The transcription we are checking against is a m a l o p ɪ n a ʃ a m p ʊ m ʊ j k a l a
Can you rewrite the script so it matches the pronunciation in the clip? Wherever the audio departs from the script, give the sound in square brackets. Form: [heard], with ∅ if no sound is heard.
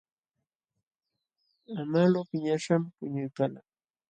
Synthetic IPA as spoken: a m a l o p ɪ [ɲ] a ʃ a m p ʊ [ɲ] ʊ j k a l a